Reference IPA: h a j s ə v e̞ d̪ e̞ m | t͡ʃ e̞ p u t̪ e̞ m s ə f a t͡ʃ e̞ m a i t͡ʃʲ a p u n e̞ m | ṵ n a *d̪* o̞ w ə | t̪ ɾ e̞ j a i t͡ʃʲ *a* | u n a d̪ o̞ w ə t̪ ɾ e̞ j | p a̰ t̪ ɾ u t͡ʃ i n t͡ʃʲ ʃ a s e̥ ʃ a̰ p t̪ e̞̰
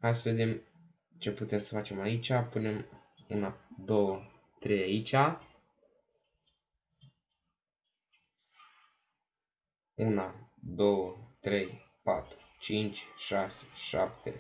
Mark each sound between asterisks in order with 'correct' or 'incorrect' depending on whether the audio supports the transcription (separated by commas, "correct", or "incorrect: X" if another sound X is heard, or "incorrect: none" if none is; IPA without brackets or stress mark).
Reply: correct, correct